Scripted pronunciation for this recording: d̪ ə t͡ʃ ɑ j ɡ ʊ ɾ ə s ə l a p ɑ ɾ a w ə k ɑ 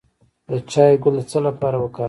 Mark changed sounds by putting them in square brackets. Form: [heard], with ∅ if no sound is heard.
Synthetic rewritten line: d̪ ə t͡ʃ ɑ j ɡ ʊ [l] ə [t͡s] ə l a p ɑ ɾ a w ə k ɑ